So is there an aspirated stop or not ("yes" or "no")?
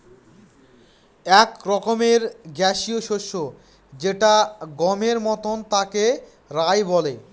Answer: no